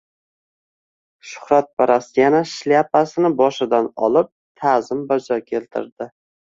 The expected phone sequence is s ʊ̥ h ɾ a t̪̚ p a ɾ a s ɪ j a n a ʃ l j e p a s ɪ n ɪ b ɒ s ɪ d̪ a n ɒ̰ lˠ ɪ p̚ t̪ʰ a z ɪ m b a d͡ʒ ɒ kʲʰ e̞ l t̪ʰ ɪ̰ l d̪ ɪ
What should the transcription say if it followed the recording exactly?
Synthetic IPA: ʃ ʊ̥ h ɾ a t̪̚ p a ɾ a s ɪ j a n a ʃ l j a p a s ɪ n ɪ b ɒ ʃ ɪ d̪ a n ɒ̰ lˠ ɪ p̚ t̪ʰ a z ɪ m b a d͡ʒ ɒ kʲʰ e̞ l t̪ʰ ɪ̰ ɾ d̪ ɪ